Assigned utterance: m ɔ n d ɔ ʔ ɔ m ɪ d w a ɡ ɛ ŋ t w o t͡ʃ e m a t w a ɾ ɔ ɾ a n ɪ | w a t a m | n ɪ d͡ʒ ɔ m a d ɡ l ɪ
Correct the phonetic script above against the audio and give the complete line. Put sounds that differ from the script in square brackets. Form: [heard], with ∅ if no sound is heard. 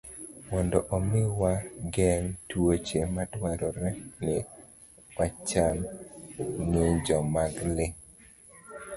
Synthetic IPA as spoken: m ɔ n d ɔ ʔ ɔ m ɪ [∅] w a ɡ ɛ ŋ t w o t͡ʃ e m a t w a ɾ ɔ ɾ [ɛ] n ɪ | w a [t͡ʃ] a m | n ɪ d͡ʒ ɔ m a [∅] ɡ l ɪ